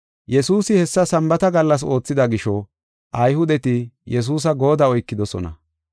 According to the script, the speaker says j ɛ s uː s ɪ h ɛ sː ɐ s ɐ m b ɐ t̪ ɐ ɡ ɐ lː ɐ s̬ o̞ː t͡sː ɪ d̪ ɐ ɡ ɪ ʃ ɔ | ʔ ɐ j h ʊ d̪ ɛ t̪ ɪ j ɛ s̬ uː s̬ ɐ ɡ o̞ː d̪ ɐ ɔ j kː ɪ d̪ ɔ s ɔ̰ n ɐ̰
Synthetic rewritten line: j ɛ s uː s ɪ h ɛ sː ɐ s ɐ m b ɐ t̪ ɐ ɡ ɐ lː ɐ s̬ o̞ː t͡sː ɪ d̪ ɐ ɡ ɪ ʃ ɔ | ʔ ɐ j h ʊ d̪ ɛ t̪ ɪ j ɛ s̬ uː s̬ ɐ ɡ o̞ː d̪ ɐ ɔ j kː ɪ d̪ ɔ s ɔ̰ n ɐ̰